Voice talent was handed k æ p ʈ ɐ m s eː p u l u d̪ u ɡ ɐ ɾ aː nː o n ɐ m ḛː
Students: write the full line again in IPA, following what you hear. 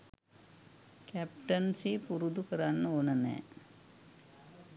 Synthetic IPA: k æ p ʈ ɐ n s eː p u ɾ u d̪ u k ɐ ɾ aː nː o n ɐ n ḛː